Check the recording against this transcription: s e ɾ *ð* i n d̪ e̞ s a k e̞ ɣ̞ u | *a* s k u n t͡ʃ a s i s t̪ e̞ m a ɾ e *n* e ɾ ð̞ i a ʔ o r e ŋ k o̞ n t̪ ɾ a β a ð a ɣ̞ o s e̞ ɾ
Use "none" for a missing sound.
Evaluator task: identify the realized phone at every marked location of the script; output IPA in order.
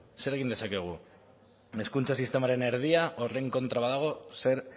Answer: ɣ, e, n

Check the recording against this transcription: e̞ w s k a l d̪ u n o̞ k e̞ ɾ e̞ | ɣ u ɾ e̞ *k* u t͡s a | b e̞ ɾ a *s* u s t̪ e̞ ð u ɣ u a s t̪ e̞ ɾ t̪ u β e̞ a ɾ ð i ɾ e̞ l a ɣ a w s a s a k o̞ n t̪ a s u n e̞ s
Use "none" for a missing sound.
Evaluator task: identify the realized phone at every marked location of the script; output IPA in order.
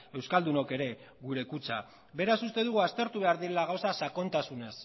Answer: k, s

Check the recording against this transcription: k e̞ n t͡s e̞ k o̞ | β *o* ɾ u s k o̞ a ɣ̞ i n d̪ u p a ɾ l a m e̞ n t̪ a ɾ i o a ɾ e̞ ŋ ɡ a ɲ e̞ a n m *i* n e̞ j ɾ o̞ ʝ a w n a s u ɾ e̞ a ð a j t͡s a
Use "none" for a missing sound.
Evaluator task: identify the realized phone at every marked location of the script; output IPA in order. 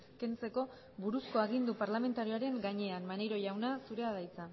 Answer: u, a

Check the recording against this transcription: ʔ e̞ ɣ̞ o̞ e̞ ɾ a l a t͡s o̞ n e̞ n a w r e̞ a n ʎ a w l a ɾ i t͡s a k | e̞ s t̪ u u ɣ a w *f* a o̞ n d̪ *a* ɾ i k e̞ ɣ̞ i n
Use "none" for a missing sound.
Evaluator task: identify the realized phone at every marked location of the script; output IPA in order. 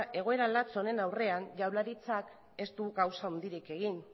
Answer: s, i

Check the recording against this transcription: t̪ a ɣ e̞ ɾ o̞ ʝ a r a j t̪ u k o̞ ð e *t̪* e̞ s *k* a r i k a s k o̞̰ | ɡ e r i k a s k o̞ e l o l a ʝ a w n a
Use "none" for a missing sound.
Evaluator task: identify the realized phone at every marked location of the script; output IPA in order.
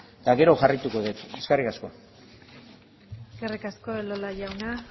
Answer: t̪, k

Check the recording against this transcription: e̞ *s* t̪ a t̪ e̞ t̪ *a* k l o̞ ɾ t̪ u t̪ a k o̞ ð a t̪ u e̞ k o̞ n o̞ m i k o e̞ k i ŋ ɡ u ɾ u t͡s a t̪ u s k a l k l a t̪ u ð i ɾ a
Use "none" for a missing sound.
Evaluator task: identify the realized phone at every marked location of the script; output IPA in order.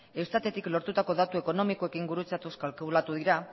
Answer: s, i

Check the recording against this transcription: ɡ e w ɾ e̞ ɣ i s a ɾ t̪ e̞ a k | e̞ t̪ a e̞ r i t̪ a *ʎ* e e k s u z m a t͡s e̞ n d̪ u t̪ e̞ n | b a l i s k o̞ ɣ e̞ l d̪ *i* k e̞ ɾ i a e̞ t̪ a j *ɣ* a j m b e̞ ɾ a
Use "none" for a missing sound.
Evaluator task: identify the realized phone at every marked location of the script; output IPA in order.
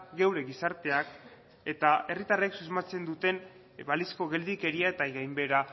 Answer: r, i, ɣ

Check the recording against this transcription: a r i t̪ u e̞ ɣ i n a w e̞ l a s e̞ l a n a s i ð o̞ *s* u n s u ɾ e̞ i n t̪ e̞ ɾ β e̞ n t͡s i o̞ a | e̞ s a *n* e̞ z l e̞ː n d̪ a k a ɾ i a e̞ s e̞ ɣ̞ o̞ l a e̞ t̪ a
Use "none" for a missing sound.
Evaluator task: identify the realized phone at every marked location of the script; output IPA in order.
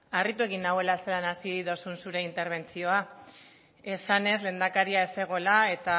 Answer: s, n

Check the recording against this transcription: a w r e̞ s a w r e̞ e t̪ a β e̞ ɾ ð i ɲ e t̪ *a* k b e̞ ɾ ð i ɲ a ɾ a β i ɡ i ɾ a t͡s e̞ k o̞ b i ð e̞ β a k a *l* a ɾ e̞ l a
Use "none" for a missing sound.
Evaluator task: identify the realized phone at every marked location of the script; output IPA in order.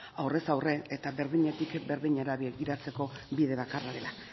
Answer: i, r

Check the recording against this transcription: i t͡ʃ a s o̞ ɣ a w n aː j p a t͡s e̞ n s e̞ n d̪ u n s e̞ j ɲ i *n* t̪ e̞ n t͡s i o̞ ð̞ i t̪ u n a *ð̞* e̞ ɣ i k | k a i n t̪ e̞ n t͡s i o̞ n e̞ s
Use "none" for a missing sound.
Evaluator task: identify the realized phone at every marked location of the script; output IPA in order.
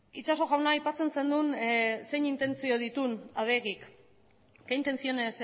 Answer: n, ð̞

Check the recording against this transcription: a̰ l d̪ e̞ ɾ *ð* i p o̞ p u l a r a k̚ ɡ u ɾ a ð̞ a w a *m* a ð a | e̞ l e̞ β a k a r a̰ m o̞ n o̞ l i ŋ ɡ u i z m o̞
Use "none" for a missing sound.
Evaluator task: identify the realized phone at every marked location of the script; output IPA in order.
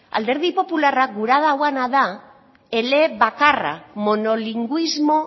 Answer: ð, n

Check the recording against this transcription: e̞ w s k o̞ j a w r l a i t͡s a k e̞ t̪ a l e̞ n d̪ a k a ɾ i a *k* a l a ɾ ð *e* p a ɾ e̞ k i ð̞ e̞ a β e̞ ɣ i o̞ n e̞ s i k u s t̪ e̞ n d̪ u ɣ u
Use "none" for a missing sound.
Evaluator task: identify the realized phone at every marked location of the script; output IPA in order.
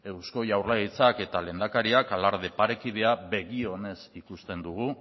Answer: k, e

